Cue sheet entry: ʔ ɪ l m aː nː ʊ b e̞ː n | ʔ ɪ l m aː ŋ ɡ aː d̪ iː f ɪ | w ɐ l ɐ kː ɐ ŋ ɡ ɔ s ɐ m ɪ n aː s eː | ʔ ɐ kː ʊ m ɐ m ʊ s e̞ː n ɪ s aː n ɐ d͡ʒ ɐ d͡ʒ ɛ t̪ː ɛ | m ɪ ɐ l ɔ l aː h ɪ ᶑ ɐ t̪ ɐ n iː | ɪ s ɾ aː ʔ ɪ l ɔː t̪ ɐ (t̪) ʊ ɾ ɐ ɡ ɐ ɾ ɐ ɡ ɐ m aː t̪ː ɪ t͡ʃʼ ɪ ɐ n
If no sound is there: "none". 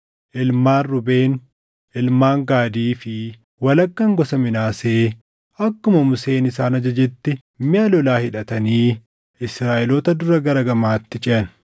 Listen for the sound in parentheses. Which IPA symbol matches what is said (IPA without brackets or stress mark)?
d̪